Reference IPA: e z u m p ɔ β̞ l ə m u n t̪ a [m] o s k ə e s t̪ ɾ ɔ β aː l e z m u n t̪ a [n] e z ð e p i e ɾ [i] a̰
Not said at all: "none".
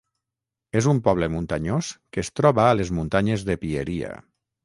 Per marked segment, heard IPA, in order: ɲ, ɲ, i

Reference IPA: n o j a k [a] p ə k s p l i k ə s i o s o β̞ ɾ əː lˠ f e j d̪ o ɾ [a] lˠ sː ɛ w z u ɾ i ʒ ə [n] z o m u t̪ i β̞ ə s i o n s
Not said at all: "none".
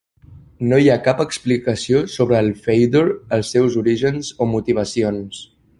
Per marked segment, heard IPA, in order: a, ə, n

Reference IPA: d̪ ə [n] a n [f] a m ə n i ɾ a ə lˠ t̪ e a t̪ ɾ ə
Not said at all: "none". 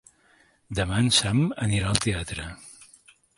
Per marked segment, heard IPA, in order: m, s

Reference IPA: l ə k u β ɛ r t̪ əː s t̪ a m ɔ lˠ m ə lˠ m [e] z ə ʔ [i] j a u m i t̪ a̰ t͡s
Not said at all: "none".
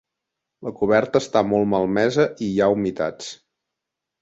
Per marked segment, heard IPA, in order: ɛ, i

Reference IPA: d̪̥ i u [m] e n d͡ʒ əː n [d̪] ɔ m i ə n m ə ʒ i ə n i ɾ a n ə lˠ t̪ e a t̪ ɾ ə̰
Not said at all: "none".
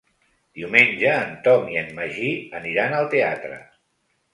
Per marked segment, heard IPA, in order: m, t̪

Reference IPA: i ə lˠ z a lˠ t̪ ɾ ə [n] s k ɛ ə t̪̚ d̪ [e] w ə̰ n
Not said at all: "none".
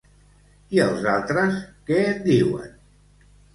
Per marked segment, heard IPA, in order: none, i

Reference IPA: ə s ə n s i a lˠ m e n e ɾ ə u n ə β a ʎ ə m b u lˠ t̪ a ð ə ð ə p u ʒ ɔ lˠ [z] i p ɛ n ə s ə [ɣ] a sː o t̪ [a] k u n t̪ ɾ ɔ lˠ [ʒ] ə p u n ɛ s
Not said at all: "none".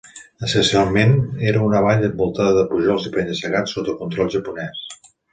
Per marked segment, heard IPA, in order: z, ɣ, ə, ʒ

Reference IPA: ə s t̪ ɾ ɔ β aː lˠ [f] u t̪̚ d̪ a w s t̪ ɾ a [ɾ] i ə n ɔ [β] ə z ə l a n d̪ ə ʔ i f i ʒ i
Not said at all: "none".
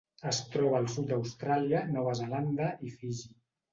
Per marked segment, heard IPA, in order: s, l, β

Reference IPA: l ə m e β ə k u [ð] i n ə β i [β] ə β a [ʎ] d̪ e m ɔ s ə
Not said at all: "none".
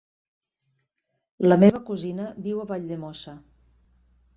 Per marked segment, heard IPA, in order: z, w, ʎ

